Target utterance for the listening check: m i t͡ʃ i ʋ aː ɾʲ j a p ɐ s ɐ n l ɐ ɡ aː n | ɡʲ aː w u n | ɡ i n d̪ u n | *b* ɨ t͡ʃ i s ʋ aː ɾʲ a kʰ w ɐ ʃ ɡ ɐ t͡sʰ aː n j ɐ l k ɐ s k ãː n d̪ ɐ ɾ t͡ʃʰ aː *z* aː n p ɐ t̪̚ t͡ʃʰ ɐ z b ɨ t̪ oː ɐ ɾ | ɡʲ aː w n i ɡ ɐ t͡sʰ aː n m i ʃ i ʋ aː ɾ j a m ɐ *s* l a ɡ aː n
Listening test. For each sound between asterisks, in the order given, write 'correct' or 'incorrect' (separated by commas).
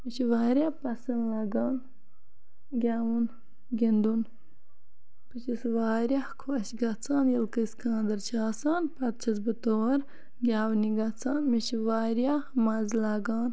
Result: incorrect, incorrect, incorrect